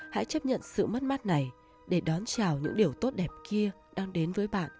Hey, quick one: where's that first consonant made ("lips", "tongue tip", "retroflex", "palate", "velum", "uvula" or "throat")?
throat